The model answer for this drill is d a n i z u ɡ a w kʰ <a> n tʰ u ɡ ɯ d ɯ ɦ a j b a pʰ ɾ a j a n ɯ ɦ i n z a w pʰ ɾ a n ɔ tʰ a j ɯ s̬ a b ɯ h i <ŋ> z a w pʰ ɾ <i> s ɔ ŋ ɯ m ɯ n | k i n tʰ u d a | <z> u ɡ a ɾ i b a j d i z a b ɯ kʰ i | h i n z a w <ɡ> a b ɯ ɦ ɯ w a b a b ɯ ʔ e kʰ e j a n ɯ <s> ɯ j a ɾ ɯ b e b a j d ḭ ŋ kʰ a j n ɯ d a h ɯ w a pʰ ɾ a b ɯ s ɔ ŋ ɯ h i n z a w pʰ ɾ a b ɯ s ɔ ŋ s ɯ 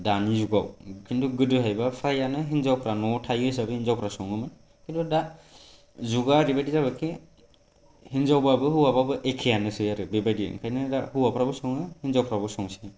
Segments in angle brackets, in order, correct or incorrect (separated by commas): incorrect, incorrect, incorrect, correct, incorrect, correct